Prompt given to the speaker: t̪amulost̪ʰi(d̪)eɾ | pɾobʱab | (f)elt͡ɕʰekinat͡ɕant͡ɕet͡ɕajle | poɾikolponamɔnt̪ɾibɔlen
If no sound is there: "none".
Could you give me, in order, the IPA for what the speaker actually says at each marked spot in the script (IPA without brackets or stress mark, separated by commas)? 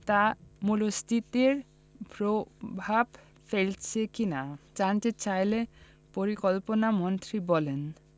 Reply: t̪, f